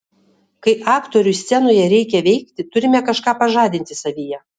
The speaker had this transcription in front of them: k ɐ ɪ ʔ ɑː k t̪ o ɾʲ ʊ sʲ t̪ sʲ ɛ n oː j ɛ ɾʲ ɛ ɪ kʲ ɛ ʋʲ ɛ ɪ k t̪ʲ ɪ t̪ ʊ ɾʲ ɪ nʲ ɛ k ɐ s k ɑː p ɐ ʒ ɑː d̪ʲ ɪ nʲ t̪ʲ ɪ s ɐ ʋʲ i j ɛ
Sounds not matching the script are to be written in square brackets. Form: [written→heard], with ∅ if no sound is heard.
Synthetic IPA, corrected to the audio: k ɐ ɪ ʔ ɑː k t̪ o ɾʲ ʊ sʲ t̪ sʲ ɛ n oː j ɛ ɾʲ ɛ ɪ kʲ ɛ ʋʲ ɛ ɪ k t̪ʲ ɪ t̪ ʊ ɾʲ ɪ [nʲ→mʲ] ɛ k ɐ [s→ʃ] k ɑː p ɐ ʒ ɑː d̪ʲ ɪ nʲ t̪ʲ ɪ s ɐ ʋʲ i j ɛ